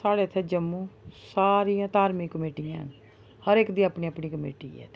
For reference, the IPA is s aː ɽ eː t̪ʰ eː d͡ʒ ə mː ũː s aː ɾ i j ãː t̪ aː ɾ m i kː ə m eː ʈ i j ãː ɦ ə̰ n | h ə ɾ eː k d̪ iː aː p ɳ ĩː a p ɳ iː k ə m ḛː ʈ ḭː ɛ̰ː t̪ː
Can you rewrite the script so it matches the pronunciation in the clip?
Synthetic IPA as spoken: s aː ɽ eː t̪ʰ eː d͡ʒ ə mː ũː s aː ɾ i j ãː t̪ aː ɾ m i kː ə m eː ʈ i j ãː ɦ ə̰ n | h ə ɾ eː k d̪ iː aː p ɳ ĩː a p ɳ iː k ə m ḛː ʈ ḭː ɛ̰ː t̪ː